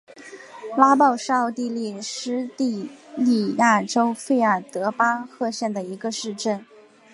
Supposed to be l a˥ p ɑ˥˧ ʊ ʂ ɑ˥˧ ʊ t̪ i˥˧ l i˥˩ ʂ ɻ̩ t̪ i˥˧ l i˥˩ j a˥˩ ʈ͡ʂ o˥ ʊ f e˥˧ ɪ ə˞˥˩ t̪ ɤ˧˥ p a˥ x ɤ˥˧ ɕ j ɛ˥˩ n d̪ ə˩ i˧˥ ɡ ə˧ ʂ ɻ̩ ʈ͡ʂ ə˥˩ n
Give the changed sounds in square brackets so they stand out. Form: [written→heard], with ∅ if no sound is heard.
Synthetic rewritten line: l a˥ p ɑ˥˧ ʊ ʂ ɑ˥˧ ʊ t̪ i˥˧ l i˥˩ ʂ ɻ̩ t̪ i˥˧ l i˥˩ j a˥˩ ʈ͡ʂ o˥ ʊ f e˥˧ ɪ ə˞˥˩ t̪ ɤ˧˥ p a˥ x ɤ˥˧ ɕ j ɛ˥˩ n d̪ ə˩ i˧˥ ɡ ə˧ ʂ ɻ̩ ʈ͡ʂ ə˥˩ n